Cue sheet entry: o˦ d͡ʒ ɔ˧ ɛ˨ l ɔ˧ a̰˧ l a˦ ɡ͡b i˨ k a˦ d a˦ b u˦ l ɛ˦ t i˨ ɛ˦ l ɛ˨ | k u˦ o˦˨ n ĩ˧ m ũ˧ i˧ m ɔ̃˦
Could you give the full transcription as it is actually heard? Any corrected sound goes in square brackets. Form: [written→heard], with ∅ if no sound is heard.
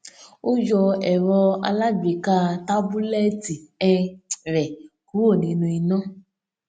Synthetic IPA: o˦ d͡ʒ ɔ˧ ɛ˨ [l→ɾ] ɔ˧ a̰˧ l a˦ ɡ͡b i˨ k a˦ [d→t] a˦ b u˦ l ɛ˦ t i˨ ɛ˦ [l→ɾ] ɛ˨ | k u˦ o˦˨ n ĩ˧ [m→n] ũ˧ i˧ [m→n] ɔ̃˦